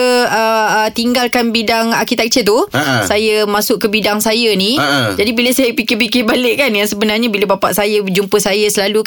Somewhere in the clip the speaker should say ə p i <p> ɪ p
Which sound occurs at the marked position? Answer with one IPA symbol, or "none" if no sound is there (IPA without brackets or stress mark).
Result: k